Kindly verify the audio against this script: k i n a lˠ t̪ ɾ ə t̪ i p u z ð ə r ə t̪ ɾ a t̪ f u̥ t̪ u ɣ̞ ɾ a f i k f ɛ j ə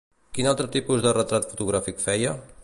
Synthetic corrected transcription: k i n a lˠ t̪ ɾ ə t̪ i p u z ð ə r ə t̪ ɾ a t̪ f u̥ t̪ u ɣ̞ ɾ a f i k f ɛ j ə

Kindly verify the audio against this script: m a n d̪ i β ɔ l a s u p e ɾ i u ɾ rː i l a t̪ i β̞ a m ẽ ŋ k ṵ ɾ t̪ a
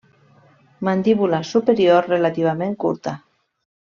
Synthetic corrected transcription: m a n d̪ i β u l a s u p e ɾ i o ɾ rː e l a t̪ i β̞ a m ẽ ŋ k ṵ ɾ t̪ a

